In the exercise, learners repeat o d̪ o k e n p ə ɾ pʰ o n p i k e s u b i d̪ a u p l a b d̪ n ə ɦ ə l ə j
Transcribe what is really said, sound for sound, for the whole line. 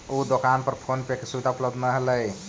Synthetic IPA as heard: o d̪ o k a n p ə ɾ pʰ o n p e k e s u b i d̪ a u p l ə b d̪ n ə ɦ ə l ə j